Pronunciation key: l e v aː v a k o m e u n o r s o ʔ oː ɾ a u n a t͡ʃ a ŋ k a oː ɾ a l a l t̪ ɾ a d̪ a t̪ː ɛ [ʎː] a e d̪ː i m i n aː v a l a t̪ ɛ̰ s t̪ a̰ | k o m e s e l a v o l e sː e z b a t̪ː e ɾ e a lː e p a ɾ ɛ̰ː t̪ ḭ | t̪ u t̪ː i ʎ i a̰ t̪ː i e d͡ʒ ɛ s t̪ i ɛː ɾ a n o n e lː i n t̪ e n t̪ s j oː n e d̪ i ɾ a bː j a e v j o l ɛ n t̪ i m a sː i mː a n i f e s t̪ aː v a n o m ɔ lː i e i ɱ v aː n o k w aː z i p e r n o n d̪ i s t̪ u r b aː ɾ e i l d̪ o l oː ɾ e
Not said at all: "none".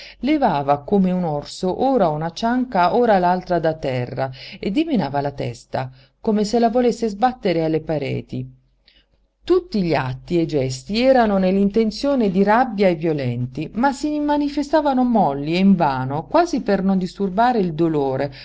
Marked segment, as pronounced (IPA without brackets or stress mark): rː